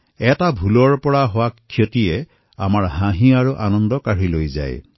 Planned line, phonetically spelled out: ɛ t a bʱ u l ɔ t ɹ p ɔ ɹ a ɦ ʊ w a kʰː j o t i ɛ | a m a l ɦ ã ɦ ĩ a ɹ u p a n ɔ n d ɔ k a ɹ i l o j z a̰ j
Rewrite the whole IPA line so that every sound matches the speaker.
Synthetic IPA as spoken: ɛ t a bʱ u l ɔ ɹ p ɔ ɹ a ɦ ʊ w a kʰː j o t i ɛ | a m a ɹ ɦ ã ɦ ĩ a ɹ u ʔ a n ɔ n d ɔ k a ɹ i l o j z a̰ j